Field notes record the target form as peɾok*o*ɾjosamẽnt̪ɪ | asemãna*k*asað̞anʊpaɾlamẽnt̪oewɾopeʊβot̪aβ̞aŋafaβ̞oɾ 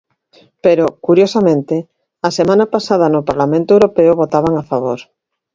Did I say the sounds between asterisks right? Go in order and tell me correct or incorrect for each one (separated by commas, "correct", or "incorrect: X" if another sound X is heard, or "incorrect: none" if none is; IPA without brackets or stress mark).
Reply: incorrect: u, incorrect: p